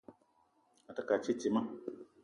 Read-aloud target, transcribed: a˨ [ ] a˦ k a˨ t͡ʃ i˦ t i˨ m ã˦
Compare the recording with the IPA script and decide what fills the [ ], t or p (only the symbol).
t